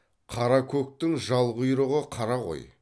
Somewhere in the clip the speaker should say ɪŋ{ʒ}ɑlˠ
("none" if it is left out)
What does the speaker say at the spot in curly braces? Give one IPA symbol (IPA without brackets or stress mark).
ʒ